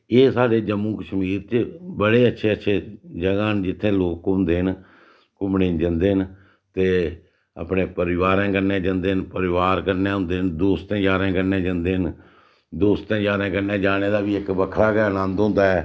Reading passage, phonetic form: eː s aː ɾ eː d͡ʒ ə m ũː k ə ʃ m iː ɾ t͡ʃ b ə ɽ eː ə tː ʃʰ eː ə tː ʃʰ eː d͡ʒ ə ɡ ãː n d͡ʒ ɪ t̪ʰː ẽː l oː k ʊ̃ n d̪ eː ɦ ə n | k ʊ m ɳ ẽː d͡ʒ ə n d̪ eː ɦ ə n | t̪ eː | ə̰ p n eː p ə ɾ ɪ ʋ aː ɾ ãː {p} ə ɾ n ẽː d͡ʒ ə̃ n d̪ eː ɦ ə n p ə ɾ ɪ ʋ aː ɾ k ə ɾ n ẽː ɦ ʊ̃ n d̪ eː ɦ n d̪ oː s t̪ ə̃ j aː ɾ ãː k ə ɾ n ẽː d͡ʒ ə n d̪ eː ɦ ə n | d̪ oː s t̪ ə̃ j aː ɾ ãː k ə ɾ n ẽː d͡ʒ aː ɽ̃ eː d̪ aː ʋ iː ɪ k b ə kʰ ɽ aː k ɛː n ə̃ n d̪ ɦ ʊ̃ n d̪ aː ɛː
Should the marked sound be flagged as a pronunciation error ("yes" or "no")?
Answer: yes